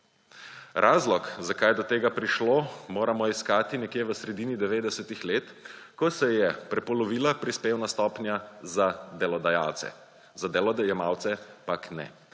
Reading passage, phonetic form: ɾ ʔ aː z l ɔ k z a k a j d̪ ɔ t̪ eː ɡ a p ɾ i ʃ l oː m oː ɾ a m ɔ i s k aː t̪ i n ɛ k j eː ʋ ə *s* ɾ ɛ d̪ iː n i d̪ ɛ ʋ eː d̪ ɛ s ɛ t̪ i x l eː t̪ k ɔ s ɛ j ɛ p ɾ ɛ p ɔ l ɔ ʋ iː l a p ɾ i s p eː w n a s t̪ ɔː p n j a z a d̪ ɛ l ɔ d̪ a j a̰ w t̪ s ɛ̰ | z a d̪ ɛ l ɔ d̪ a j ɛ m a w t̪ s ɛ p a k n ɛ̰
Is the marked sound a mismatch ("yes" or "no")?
no